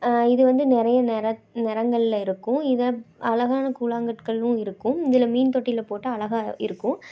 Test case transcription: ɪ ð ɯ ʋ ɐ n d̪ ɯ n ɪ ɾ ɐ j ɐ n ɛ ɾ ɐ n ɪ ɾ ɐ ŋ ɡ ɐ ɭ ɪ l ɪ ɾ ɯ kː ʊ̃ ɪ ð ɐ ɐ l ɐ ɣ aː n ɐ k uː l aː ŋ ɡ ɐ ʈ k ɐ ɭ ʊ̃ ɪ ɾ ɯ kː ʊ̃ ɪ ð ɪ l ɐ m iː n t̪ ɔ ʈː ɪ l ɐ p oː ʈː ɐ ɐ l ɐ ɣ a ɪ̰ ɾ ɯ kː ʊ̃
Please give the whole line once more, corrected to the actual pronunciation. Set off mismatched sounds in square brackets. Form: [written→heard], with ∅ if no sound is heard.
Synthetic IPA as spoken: ɪ ð ɯ ʋ ɐ n d̪ ɯ n ɪ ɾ ɐ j ɐ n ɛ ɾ ɐ n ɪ ɾ ɐ ŋ ɡ ɐ ɭ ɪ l ɪ ɾ ɯ kː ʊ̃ ɪ ð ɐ ɐ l ɐ ɣ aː n ɐ k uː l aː ŋ ɡ ɐ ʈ k ɐ ɭ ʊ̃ ɪ ɾ ɯ kː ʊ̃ ɪ ð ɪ l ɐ m iː n t̪ ɔ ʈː ɪ l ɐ p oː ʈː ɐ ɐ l ɐ ɣ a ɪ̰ ɾ ɯ kː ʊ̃